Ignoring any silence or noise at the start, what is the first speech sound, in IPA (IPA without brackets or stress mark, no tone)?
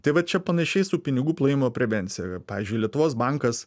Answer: t̪